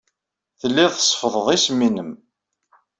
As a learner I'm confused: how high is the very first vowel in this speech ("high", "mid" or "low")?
mid